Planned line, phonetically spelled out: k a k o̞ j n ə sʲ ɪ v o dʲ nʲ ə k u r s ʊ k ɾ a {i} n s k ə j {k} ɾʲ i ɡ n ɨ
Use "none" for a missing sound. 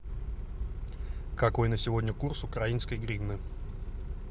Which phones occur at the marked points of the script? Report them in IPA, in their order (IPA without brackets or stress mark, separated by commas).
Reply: i, ɡ